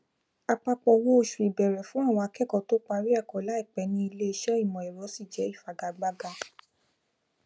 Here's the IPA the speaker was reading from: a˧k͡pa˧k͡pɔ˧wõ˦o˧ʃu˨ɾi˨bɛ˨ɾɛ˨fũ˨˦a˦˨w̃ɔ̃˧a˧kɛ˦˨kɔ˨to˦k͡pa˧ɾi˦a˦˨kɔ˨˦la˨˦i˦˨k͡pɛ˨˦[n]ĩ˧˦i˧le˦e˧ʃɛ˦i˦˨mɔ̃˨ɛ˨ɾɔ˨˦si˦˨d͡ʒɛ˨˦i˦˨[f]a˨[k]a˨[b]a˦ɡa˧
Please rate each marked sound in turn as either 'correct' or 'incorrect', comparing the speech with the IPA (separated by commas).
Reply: correct, correct, incorrect, incorrect